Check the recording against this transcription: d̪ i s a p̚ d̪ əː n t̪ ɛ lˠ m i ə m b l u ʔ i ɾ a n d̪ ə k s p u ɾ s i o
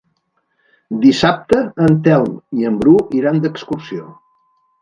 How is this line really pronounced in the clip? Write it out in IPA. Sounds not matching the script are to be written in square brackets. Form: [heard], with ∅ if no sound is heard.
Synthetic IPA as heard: d̪ i s a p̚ [t̪] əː n t̪ ɛ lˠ m i ə m b [ɾ] u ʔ i ɾ a n d̪ ə k s [k] u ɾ s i o